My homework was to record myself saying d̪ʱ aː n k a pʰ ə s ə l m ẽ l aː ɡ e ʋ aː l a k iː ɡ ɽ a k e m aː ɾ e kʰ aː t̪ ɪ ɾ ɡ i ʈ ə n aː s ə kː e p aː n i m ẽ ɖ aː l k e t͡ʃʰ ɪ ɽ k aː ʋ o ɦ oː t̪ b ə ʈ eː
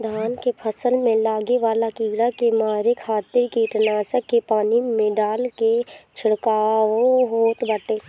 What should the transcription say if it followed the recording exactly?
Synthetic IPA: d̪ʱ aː n k e pʰ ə s ə l m ẽ l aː ɡ e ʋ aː l a k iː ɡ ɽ a k e m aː ɾ e kʰ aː t̪ ɪ ɾ k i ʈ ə n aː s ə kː e p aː n i m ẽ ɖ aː l k e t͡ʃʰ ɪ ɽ k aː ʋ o ɦ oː t̪ b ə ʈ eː